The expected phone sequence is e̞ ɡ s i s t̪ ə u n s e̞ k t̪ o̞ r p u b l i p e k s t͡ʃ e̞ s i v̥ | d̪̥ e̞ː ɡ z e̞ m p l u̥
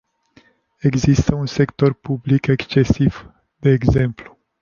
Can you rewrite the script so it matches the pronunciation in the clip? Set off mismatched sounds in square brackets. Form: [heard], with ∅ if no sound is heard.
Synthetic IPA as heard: e̞ ɡ [z] i s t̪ ə u n s e̞ k t̪ o̞ r p u b l i [k] e k s t͡ʃ e̞ s i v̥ | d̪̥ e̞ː ɡ z e̞ m p l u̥